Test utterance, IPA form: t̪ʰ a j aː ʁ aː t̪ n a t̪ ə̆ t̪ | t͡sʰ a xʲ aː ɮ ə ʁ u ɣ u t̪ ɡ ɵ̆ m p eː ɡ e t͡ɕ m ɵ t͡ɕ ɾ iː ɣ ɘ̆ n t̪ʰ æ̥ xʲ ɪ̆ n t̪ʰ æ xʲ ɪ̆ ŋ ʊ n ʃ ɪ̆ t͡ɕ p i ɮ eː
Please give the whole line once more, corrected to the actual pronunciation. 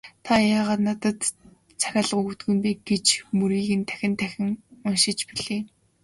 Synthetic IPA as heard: t̪ʰ a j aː ʁ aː t̪ n a t̪ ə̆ t̪ | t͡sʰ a xʲ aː ɮ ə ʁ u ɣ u t̪ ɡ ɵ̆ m p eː ɡ e t͡ɕ m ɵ ɾ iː ɣ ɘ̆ n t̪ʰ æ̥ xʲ ɪ̆ n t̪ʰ æ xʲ ɪ̆ ŋ ʊ n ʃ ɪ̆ t͡ɕ p i ɮ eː